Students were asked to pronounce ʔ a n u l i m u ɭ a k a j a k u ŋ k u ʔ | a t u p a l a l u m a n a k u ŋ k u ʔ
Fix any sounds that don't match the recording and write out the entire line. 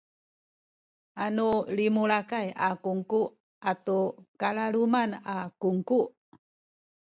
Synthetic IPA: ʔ a n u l i m u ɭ a k a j a k u ŋ k u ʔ | a t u k a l a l u m a n a k u ŋ k u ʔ